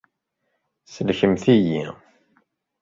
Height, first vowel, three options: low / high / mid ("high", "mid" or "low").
mid